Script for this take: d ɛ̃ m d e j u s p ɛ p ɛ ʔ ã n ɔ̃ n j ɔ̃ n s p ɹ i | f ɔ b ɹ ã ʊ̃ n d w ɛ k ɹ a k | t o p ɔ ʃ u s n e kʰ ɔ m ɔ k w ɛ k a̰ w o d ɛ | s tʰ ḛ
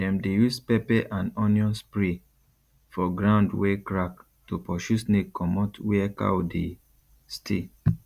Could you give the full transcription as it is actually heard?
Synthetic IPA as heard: d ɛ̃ m d e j u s p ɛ p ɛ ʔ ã n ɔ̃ n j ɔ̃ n s p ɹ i | f ɔ ɡ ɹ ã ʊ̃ n d w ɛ k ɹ a k | t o p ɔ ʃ u s n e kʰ ɔ m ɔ t w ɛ k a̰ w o d e | s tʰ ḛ